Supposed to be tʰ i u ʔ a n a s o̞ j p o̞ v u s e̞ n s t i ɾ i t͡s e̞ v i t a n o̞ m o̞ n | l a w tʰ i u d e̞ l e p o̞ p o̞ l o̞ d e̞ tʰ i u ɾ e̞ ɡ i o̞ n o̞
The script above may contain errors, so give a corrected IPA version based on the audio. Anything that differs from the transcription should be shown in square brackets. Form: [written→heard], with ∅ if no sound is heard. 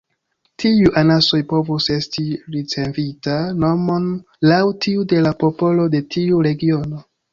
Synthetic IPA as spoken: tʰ i u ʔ a n a s o̞ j p o̞ v u s e̞ [n→∅] s t i ɾ i t͡s e̞ v i t a n o̞ m o̞ n | l a w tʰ i u d e̞ l [e→a] p o̞ p o̞ l o̞ d e̞ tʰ i u ɾ e̞ ɡ i o̞ n o̞